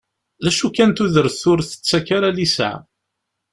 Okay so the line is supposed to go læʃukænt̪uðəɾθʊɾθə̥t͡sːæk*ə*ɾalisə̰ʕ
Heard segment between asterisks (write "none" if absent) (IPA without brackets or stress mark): a